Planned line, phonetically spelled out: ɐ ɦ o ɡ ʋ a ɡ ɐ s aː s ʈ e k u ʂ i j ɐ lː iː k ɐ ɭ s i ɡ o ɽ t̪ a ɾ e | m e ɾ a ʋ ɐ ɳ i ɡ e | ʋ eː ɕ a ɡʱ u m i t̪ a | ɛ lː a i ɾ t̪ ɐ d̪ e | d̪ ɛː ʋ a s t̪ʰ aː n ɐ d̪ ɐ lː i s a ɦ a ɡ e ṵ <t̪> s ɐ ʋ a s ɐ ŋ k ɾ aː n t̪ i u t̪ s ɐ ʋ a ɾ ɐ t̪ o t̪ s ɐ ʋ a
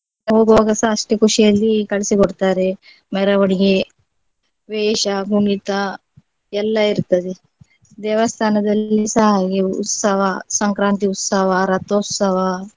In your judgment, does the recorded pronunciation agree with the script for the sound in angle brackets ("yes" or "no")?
yes